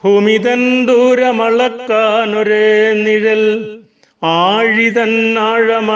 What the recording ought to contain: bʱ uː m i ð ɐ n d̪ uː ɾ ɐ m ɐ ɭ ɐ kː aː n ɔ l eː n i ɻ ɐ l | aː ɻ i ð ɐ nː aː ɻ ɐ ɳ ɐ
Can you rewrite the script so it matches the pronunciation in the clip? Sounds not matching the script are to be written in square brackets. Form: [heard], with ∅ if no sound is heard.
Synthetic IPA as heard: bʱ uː m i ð ɐ n d̪ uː ɾ ɐ m ɐ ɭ ɐ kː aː n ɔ [ɾ] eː n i ɻ ɐ l | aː ɻ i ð ɐ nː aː ɻ ɐ [m] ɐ